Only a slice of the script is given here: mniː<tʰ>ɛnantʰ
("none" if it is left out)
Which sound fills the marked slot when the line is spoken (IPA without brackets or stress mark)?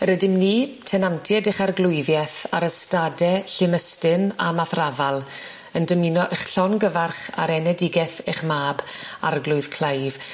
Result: tʰ